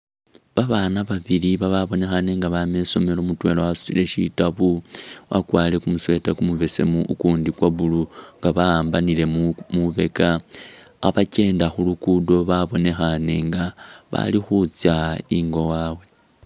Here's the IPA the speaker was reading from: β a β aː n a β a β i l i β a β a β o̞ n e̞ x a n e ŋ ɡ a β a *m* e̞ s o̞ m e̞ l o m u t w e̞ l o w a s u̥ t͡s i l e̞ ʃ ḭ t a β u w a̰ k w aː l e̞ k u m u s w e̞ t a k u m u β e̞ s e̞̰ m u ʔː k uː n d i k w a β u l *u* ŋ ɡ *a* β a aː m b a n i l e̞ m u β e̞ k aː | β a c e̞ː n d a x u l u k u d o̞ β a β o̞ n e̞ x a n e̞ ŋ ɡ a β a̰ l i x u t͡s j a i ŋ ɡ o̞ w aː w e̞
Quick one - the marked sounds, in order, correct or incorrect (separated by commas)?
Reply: correct, correct, correct